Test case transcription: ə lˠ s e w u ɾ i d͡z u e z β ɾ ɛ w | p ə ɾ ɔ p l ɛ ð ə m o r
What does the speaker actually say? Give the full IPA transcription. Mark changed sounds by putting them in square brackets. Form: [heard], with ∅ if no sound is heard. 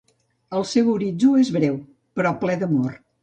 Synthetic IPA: ə lˠ s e w u ɾ i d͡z u e z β ɾ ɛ w | p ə ɾ ɔ p l ɛ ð ə m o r

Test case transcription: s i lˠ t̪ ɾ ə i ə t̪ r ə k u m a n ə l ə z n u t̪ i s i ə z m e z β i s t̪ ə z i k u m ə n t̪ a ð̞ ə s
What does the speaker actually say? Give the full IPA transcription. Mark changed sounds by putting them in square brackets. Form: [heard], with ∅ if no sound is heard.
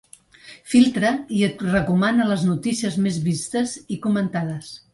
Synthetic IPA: [f] i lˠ t̪ ɾ ə i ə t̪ r ə k u m a n ə l ə z n u t̪ i s i ə z m e z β i s t̪ ə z i k u m ə n t̪ a ð̞ ə s

